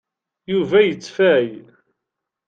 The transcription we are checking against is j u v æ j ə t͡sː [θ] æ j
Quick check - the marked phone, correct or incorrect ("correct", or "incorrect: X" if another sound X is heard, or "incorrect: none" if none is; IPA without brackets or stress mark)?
incorrect: f